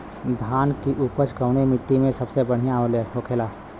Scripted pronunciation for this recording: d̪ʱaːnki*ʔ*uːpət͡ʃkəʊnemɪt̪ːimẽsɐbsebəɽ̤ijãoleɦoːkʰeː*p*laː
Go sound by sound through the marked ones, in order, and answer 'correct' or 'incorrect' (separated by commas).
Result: correct, incorrect